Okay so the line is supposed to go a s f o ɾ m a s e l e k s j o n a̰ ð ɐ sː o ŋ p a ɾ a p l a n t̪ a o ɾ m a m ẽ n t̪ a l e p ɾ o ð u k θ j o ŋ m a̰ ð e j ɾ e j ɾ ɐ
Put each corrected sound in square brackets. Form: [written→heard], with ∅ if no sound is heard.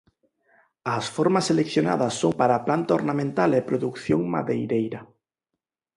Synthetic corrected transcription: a s f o ɾ m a s e l e k [s→θ] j o n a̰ ð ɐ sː o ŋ p a ɾ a p l a n t̪ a o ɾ [m→n] a m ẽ n t̪ a l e p ɾ o ð u k θ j o ŋ m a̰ ð e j ɾ e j ɾ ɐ